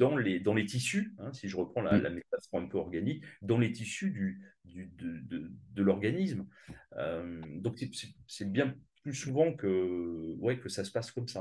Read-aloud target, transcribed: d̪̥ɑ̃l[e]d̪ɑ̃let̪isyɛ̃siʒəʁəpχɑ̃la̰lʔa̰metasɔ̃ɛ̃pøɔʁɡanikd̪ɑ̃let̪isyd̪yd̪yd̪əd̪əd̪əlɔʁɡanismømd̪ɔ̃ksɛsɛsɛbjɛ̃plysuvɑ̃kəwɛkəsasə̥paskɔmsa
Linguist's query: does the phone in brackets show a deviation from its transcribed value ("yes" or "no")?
no